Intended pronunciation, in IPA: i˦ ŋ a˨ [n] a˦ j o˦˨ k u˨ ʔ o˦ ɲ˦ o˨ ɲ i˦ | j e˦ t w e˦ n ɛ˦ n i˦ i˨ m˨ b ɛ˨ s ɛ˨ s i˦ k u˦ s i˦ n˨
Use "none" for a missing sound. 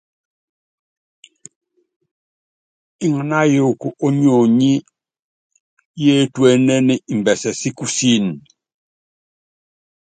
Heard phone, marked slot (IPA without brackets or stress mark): n